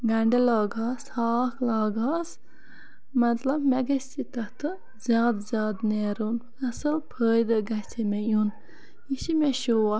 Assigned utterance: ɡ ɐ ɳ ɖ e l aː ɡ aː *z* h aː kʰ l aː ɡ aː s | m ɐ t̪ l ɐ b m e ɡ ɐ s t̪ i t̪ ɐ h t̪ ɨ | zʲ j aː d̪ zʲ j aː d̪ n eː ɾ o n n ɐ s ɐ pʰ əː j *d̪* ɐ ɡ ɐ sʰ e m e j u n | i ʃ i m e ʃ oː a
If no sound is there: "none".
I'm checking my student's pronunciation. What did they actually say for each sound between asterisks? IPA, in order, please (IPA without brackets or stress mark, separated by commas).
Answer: s, d̪